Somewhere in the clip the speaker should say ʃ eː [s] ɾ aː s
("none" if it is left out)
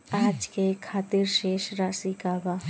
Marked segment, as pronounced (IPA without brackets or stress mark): ʃ